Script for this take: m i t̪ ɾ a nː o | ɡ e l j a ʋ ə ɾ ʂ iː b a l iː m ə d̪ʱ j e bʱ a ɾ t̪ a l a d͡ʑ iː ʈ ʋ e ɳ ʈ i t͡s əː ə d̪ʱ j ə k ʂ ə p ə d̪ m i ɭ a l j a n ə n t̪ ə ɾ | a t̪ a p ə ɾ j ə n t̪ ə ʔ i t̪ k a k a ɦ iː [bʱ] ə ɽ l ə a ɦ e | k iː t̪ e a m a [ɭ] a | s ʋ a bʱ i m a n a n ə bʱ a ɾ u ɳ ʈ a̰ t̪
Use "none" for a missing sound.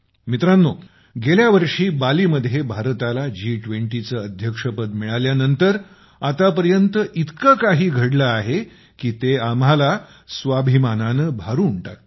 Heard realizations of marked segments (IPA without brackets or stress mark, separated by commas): ɡʱ, l